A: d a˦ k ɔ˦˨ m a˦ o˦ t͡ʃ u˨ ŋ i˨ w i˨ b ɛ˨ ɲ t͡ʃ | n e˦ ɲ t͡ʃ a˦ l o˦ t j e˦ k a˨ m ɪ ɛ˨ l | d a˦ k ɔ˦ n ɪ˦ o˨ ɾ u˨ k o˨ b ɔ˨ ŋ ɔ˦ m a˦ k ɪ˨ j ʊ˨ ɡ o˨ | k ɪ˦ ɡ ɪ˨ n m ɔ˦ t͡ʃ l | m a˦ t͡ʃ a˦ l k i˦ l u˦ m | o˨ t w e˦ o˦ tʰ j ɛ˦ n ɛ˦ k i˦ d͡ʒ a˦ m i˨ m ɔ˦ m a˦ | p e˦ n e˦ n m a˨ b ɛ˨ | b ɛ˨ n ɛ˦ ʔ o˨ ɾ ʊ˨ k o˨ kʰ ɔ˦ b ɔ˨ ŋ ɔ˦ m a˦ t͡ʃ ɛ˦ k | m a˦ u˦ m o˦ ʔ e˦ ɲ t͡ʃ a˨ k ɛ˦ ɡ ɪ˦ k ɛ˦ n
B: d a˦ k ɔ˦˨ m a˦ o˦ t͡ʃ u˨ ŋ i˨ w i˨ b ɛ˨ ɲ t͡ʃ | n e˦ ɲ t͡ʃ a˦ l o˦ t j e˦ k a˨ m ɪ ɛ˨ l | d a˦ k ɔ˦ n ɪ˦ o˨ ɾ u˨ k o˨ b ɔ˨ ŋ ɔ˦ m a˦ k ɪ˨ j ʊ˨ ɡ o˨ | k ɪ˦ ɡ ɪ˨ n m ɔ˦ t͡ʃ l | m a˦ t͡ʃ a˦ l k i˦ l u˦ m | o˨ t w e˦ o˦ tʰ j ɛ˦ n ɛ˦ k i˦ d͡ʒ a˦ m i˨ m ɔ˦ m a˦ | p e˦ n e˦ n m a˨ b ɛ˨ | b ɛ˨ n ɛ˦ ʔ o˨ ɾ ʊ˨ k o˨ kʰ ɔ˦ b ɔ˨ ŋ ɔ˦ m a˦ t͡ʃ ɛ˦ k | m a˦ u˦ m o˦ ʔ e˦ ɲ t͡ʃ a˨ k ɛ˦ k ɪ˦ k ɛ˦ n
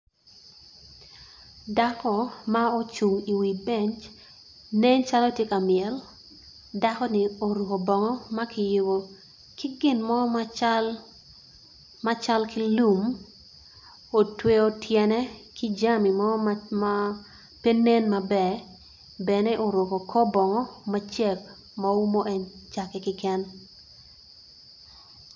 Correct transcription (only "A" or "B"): B